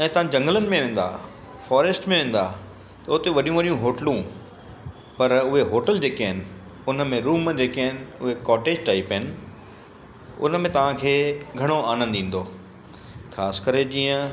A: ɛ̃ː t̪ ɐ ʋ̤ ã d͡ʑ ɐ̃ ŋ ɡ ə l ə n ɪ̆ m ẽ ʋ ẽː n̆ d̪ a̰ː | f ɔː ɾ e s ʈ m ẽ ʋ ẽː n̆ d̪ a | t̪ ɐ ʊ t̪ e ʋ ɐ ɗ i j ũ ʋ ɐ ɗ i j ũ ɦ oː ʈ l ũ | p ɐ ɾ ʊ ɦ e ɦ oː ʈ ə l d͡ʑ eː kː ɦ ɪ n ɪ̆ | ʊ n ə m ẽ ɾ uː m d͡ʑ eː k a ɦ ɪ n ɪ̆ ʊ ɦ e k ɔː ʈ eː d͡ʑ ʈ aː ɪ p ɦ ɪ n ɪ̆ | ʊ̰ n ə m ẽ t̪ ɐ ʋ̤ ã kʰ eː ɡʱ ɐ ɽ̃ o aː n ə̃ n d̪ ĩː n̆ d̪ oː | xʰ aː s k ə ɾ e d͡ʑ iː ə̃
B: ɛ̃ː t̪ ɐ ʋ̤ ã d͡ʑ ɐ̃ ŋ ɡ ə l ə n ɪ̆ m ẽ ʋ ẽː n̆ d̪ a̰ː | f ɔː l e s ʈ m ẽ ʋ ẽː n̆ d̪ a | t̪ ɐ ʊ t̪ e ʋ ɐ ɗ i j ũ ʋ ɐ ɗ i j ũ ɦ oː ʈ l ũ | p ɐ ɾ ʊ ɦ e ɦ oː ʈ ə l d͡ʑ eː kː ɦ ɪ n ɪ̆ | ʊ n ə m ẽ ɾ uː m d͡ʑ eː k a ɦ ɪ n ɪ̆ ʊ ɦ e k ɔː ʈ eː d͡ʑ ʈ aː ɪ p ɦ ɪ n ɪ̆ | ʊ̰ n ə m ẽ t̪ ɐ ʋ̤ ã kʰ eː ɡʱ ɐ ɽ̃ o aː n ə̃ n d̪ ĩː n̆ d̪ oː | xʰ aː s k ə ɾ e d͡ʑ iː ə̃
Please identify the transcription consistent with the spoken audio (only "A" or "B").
A